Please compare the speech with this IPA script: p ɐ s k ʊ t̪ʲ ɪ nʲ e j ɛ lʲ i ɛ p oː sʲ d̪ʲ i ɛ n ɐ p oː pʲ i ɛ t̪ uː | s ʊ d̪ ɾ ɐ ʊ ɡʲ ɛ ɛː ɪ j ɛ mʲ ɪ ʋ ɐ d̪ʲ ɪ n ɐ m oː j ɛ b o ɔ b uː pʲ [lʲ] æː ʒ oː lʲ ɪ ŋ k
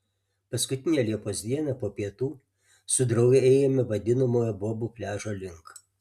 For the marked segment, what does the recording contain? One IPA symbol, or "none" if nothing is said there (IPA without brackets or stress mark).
lʲ